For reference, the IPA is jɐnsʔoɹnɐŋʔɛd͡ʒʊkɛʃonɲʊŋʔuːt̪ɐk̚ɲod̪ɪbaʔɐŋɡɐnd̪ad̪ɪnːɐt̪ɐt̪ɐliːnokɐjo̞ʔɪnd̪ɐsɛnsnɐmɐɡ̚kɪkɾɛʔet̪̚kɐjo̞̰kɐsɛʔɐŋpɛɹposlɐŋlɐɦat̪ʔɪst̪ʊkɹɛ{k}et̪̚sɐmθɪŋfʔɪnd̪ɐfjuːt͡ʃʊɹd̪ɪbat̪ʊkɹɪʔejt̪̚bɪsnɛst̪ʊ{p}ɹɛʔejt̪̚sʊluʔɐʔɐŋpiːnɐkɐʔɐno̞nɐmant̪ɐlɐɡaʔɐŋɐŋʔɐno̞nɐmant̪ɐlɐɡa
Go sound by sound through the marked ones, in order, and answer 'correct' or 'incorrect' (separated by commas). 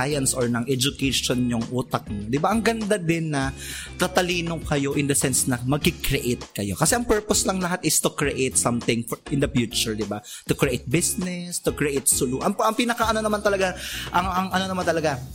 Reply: incorrect, incorrect